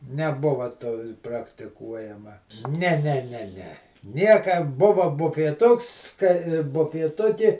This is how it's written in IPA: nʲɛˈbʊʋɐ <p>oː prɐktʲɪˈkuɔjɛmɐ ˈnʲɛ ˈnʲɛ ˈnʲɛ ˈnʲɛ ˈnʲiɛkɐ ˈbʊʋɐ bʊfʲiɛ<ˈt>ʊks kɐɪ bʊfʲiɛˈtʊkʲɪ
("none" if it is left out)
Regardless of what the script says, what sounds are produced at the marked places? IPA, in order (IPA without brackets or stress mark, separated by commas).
t, t